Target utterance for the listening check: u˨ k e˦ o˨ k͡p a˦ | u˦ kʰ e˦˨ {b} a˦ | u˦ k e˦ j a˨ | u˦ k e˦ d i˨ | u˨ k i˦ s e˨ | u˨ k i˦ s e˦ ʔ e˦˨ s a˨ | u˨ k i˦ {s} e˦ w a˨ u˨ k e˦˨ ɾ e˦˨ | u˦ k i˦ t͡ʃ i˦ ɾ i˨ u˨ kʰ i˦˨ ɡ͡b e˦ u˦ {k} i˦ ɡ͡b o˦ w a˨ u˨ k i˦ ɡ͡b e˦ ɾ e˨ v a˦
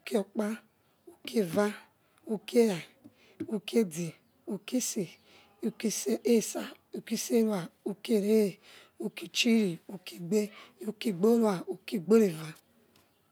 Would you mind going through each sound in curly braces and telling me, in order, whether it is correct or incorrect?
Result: incorrect: v, correct, correct

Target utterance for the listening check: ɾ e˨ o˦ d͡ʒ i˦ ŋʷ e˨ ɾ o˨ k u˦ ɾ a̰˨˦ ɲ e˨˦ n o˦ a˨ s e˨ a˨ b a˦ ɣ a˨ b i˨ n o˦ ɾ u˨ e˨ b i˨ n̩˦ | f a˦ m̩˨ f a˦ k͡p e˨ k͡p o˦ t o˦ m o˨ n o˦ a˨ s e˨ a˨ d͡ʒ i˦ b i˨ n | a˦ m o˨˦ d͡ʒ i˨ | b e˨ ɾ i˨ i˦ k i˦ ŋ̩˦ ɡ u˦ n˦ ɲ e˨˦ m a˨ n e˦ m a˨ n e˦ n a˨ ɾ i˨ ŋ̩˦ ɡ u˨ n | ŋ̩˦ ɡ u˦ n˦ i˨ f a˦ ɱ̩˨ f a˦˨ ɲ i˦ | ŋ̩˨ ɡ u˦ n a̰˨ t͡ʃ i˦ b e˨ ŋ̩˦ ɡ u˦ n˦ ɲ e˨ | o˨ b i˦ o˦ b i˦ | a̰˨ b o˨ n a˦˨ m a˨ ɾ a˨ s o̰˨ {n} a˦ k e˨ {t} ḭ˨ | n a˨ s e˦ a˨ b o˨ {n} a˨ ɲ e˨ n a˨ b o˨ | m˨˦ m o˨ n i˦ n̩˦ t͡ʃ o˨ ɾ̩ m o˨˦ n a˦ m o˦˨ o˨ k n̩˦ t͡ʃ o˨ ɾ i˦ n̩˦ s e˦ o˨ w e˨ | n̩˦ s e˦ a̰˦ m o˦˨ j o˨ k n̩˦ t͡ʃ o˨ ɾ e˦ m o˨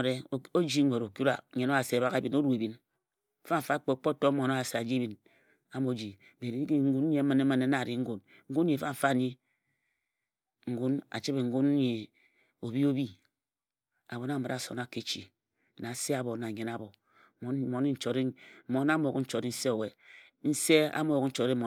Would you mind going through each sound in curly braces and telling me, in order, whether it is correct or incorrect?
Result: correct, incorrect: t͡ʃ, correct

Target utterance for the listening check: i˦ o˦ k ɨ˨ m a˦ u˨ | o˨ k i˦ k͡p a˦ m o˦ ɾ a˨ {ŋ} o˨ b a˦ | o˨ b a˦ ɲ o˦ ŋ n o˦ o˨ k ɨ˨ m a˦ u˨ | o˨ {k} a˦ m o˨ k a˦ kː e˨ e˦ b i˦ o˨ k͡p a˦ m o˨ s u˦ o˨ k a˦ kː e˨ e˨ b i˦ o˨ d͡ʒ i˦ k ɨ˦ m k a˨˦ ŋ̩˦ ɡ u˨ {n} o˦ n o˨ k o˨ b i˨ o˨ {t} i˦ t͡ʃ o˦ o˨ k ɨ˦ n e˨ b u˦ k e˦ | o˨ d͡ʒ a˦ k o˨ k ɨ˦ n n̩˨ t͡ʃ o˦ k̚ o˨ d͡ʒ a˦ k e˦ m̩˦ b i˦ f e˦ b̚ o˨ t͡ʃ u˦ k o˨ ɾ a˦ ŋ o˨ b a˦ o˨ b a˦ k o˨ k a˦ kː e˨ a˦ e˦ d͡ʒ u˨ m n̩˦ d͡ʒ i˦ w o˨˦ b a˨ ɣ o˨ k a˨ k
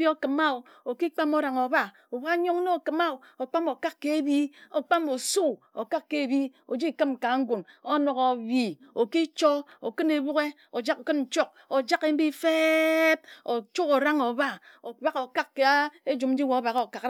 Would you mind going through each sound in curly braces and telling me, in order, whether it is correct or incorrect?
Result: correct, incorrect: k͡p, correct, incorrect: k

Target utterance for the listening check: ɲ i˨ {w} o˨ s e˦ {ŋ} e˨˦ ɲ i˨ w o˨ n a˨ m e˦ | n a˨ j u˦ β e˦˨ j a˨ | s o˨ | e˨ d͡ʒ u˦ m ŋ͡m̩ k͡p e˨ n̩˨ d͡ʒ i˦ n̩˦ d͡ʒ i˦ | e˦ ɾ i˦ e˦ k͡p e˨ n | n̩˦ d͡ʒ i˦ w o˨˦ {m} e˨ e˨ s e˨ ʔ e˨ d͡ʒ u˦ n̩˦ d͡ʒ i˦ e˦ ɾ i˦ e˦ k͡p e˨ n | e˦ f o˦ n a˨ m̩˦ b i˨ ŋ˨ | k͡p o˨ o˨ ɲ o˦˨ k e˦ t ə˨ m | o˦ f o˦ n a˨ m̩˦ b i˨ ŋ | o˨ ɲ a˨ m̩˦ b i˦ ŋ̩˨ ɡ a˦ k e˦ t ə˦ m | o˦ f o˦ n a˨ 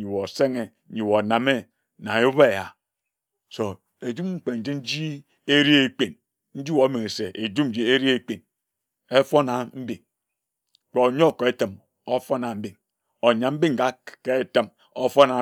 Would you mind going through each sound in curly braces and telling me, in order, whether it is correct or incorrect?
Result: correct, correct, correct

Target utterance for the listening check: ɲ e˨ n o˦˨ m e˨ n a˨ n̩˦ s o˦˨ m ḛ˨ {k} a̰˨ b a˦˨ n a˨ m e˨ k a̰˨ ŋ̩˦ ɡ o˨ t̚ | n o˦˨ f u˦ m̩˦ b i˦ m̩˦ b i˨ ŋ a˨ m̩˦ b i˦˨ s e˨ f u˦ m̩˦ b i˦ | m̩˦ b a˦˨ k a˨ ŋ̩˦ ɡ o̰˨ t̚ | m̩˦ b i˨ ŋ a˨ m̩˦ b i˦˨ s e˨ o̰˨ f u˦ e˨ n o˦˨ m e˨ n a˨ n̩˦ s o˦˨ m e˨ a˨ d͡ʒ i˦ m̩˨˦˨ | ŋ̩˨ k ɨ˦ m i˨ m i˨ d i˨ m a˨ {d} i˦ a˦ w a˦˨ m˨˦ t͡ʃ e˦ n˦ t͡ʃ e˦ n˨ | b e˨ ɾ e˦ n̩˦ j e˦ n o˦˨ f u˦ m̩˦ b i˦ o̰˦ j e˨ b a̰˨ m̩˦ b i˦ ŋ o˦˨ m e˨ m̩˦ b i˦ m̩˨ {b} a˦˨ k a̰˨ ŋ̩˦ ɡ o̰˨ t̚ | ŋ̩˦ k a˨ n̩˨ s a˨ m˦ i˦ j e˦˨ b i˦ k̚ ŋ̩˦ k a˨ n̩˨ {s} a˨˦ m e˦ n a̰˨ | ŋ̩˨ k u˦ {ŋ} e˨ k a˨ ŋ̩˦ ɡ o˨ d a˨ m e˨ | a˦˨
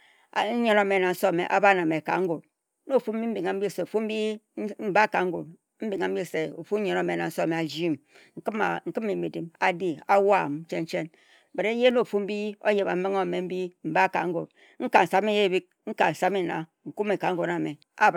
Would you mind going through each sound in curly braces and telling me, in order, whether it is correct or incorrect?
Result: incorrect: ʔ, correct, correct, correct, incorrect: m

